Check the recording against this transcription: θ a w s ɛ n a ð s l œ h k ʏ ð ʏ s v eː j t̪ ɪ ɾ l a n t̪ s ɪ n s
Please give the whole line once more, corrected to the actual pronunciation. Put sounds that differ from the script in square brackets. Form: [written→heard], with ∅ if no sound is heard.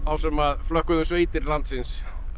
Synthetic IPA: θ a w s ɛ [n→m] a ð [s→f] l œ h k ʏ ð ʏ s v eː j t̪ ɪ ɾ l a n t̪ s ɪ n s